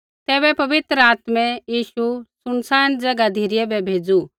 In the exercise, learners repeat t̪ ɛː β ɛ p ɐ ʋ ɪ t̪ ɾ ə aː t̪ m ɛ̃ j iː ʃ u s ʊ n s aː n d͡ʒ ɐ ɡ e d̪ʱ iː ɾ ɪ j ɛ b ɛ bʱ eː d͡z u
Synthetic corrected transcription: t̪ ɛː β ɛ p ɐ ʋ ɪ t̪ ɾ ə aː t̪ m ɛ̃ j iː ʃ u s ʊ n s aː n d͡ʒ ɐ ɡ a d̪ʱ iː ɾ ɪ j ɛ b ɛ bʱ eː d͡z u